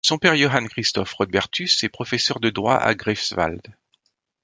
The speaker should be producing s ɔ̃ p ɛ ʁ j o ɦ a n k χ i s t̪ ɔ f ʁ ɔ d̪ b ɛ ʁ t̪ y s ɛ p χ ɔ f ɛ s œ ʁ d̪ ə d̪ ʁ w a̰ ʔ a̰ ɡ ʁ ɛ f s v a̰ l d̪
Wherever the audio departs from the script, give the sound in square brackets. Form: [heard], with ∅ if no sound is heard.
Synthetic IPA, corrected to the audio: s ɔ̃ p ɛ ʁ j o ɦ a n k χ i s t̪ ɔ f ʁ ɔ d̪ b ɛ ʁ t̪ y s ɛ p χ ɔ f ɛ s œ ʁ d̪ ə d̪ ʁ w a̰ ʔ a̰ ɡ ʁ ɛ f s v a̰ l d̪